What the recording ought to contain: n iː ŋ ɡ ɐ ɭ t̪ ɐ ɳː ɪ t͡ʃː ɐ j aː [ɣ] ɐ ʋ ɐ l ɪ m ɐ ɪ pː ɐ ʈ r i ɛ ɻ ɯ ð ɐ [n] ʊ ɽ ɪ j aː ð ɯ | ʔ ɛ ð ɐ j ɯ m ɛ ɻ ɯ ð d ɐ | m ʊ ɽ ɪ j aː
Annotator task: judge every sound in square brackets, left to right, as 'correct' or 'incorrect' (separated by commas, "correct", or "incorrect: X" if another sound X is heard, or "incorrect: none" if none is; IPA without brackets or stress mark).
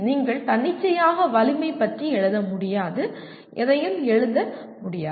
correct, incorrect: m